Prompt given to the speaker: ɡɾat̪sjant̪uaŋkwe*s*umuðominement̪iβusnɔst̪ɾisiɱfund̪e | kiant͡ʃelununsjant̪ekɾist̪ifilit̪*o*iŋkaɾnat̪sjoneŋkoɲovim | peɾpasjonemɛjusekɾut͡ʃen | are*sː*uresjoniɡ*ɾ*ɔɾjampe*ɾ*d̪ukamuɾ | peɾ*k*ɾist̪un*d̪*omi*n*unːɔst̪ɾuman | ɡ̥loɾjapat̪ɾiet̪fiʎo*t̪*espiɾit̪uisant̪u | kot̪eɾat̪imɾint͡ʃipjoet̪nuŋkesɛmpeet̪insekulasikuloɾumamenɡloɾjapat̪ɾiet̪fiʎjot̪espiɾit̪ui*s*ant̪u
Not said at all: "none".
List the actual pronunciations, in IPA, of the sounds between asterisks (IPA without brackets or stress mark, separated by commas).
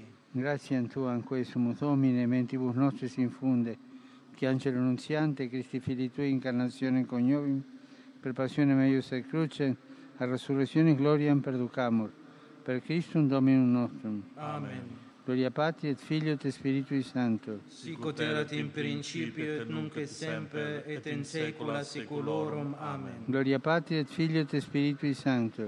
s, u, s, l, ɾ, k, d̪, n, t̪, s